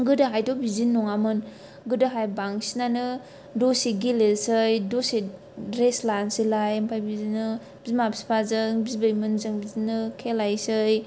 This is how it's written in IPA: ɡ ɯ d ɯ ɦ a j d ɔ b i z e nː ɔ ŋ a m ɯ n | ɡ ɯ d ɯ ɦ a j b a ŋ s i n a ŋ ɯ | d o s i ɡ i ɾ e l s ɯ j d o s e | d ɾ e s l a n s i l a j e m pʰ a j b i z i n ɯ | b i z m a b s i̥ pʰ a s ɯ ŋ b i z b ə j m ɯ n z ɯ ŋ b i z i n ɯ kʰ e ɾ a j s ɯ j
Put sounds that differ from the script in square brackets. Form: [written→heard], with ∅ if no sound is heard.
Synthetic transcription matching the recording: ɡ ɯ d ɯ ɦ a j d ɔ b i z [e→i] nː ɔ ŋ a m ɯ n | ɡ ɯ d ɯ ɦ a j b a ŋ s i n a [ŋ→n] ɯ | d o s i ɡ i [ɾ→l] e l s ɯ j d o s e | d ɾ e s l a n s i l a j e m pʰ a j b i z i n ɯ | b i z m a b s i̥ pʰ a [s→z] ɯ ŋ b i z b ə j m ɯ n z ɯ ŋ b i z i n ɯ kʰ e [ɾ→l] a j s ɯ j